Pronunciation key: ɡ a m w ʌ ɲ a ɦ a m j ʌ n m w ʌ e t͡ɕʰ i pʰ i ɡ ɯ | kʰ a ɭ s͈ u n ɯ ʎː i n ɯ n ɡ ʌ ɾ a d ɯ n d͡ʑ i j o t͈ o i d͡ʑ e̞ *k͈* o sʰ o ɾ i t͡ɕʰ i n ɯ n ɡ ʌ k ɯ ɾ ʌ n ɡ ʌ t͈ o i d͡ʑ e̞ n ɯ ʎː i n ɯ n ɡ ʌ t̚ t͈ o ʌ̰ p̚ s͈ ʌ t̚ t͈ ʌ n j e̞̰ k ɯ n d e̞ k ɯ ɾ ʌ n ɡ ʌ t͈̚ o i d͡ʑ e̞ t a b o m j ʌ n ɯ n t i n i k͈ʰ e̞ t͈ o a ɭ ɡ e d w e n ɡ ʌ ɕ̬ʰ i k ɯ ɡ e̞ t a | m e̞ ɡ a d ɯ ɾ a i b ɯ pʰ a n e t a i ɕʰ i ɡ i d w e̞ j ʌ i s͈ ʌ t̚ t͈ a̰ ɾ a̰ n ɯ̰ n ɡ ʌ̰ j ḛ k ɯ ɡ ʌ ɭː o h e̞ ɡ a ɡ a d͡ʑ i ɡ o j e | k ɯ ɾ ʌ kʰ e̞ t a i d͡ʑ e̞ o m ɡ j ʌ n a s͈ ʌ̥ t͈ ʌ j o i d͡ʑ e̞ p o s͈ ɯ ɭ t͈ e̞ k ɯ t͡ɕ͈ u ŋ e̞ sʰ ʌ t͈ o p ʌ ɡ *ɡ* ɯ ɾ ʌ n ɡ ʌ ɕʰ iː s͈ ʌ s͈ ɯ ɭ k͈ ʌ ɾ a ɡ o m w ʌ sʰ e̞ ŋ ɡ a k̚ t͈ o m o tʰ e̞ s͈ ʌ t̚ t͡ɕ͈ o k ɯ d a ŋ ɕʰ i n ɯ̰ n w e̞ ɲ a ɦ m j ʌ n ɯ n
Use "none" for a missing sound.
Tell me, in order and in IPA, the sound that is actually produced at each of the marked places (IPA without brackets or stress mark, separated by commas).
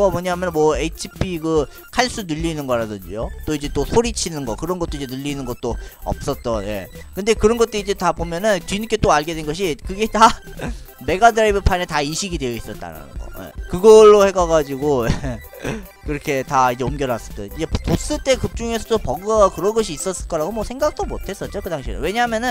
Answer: t͈, k